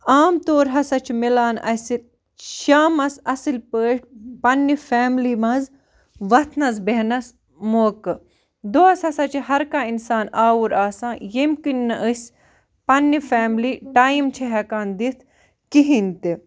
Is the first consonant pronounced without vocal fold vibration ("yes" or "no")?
no